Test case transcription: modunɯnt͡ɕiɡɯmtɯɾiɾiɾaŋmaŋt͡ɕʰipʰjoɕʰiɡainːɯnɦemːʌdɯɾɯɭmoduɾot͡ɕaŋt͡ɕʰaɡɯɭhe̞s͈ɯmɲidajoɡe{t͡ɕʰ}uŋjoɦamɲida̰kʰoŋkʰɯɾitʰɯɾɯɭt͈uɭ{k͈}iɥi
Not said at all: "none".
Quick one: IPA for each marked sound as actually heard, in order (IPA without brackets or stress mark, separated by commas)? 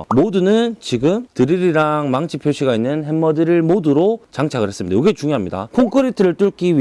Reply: t͡ɕ, k͈